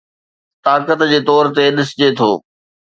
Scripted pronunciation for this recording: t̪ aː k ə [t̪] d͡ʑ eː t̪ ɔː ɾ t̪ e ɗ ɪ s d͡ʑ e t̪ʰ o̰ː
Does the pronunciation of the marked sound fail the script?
no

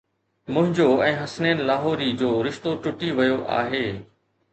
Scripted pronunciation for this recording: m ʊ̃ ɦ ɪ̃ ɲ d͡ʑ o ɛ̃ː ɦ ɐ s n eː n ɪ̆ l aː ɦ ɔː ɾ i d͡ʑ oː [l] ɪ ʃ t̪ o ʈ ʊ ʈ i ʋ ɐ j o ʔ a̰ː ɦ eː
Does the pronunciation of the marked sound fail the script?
yes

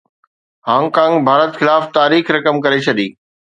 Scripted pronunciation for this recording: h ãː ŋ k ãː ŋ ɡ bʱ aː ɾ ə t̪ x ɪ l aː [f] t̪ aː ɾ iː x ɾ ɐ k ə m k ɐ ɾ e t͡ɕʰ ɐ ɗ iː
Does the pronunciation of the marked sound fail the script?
no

